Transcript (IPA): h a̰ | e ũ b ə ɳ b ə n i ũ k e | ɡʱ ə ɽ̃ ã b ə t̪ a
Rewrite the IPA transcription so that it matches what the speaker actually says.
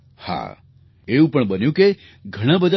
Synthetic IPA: h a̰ | e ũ p ə ɳ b ə n j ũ k e | ɡʱ ə ɽ̃ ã b ə d̪ a